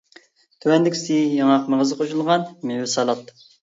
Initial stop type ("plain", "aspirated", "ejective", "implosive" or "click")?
aspirated